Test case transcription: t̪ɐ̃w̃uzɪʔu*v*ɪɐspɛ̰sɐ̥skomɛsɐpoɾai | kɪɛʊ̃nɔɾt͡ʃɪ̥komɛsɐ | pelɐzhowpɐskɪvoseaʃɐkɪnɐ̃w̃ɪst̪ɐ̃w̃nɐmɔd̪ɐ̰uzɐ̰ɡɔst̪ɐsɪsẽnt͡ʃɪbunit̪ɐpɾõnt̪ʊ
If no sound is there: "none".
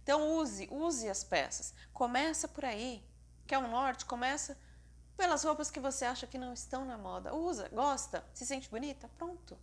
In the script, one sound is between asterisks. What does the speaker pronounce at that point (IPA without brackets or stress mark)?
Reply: z